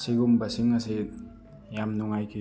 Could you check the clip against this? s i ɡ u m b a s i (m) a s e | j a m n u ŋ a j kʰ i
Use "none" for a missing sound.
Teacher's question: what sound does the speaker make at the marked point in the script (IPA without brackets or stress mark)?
ŋ